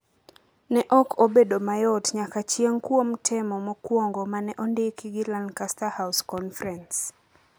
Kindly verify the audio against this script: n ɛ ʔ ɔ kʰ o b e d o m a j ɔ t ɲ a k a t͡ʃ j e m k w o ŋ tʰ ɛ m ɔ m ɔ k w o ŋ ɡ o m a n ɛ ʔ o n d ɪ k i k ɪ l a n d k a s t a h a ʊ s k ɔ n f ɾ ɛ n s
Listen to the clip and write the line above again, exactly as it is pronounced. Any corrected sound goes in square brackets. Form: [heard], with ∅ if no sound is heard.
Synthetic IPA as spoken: n ɛ ʔ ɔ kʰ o b e d o m a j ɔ t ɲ a k a t͡ʃ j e [ŋ] k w o [m] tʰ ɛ m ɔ m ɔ k w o ŋ ɡ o m a n ɛ ʔ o n d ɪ k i [ɡ] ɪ l a n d k a s t a h a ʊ s k ɔ n f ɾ ɛ n s